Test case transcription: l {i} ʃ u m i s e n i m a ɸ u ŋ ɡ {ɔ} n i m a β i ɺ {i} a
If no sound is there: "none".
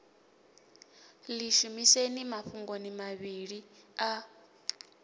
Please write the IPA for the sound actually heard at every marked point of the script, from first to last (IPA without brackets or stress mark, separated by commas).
i, o, i